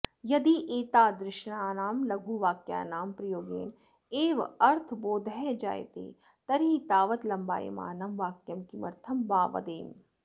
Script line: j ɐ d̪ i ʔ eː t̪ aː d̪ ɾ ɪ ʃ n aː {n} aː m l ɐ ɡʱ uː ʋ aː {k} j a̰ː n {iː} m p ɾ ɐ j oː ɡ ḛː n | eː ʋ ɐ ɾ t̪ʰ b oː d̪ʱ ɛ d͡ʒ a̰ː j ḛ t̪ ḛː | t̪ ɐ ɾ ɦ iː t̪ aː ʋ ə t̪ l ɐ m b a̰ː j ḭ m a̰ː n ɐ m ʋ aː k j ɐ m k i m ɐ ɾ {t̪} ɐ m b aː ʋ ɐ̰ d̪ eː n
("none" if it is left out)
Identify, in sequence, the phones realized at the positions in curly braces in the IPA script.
n, k, aː, t̪ʰ

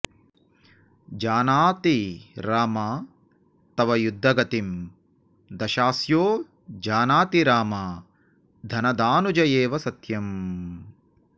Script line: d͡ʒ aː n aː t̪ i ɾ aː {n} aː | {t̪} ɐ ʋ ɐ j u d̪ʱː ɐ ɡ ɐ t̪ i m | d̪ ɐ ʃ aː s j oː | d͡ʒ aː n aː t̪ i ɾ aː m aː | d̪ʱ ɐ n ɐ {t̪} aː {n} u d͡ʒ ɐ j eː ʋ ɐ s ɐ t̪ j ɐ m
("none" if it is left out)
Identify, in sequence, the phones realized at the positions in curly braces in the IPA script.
m, t̪, d̪, n

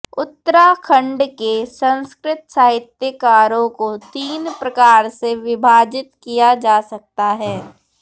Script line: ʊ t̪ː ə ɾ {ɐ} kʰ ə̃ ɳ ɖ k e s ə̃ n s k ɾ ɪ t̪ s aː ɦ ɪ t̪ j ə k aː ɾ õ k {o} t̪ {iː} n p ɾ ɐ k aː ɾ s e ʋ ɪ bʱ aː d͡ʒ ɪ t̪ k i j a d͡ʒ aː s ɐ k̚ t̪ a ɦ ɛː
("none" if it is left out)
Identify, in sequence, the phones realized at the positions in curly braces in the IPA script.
a, o, iː

